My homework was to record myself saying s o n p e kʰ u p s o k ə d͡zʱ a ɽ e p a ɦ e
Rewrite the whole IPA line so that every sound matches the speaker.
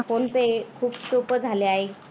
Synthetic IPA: f o n p e kʰ uː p s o p ə d͡zʱ a l e a ɦ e